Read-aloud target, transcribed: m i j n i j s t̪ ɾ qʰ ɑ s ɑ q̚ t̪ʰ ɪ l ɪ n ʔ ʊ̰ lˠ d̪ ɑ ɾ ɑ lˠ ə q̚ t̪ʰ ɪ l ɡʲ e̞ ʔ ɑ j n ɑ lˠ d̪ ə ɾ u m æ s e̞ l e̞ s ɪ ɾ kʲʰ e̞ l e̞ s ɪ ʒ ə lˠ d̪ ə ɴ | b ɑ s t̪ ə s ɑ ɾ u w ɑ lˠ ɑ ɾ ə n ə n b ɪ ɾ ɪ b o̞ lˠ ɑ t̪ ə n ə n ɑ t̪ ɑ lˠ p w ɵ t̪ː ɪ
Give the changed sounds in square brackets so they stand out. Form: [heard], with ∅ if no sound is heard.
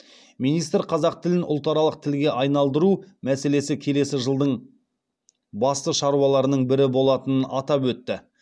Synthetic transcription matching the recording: m i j n i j s t̪ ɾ qʰ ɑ [z] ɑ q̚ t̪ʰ ɪ l ɪ n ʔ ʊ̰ lˠ [t̪] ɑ ɾ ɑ lˠ ə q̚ t̪ʰ ɪ l ɡʲ e̞ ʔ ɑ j n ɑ lˠ d̪ ə ɾ u m æ s e̞ l e̞ s ɪ [∅] kʲʰ e̞ l e̞ s ɪ ʒ ə lˠ d̪ ə ɴ | b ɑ s t̪ ə [ʃ] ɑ ɾ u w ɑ lˠ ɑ ɾ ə n ə [ɴ] b ɪ ɾ ɪ b o̞ lˠ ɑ t̪ ə n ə n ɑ t̪ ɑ [∅] p w ɵ t̪ː ɪ